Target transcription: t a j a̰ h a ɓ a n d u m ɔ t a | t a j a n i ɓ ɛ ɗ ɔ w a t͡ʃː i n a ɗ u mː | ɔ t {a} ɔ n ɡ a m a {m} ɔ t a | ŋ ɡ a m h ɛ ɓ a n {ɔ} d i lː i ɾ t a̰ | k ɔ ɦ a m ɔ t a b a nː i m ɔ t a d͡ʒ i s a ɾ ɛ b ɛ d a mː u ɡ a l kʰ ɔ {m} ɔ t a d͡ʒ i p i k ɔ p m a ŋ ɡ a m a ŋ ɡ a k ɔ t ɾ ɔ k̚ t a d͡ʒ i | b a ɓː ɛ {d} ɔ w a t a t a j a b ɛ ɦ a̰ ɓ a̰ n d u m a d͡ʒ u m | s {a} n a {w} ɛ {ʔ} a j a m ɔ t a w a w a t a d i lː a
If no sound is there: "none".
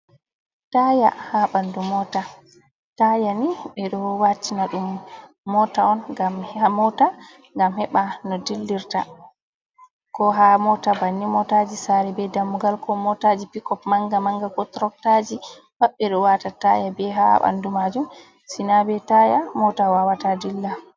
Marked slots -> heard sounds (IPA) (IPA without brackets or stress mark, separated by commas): a, m, ɔ, m, ɗ, i, b, t